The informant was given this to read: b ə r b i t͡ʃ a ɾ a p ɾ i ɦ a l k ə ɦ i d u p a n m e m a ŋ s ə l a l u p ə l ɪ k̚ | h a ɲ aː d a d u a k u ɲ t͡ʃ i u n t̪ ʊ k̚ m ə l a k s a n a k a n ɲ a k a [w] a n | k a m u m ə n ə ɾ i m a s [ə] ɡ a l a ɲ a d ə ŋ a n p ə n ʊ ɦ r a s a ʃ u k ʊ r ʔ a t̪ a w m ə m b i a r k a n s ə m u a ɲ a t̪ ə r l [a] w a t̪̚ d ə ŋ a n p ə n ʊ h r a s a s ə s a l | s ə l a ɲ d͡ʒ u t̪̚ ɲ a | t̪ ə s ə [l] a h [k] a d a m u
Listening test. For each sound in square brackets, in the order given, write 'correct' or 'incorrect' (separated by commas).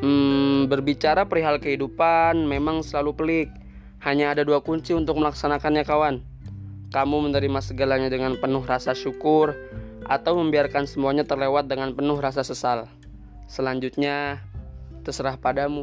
correct, correct, incorrect, incorrect, incorrect